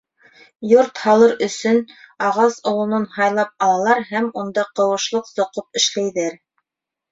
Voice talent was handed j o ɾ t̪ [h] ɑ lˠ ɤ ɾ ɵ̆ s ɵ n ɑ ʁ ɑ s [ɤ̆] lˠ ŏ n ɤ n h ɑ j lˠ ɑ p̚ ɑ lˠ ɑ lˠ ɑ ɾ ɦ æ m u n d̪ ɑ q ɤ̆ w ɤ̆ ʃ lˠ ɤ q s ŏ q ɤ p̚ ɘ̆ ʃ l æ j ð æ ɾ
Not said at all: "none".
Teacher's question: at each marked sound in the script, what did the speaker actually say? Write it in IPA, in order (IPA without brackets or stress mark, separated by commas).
h, ŏ